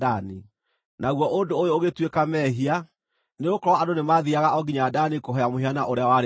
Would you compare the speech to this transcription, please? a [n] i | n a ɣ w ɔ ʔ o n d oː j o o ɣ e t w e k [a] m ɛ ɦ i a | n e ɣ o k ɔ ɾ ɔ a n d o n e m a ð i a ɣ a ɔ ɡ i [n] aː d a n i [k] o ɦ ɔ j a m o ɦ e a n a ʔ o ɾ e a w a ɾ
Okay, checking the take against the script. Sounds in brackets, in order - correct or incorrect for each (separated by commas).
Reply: correct, correct, incorrect, correct